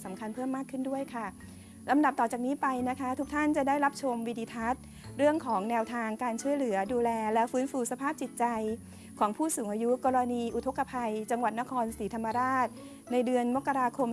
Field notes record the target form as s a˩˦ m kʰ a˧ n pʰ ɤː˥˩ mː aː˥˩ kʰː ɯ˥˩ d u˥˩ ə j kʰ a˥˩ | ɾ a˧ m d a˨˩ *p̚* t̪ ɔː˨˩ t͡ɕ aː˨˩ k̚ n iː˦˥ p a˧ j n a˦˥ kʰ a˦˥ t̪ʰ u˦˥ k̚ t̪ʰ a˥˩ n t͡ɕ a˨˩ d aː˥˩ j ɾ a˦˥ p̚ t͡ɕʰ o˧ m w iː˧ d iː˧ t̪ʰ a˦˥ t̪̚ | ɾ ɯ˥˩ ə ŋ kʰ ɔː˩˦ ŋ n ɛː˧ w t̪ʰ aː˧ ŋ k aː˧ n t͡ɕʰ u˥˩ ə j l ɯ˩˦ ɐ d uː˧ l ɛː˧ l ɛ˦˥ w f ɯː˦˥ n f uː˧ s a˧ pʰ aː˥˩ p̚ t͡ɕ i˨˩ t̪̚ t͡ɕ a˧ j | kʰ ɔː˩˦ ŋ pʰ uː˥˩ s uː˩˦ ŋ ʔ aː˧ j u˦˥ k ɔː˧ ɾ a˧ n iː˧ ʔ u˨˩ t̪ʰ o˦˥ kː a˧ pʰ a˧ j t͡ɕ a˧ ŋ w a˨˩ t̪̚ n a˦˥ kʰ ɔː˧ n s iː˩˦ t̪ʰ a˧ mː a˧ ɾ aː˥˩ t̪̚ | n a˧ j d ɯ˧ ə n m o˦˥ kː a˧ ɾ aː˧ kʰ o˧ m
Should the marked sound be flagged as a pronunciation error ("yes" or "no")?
no